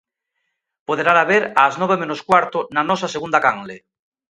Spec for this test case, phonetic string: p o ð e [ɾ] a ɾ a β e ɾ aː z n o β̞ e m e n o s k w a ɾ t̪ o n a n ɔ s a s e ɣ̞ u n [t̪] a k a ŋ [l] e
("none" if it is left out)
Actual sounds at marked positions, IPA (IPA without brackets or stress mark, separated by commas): ɾ, d̪, l